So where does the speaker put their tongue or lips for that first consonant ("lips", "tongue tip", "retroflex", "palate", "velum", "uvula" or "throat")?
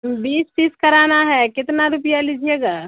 lips